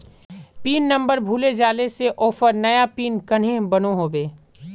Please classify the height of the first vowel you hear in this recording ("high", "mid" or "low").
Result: high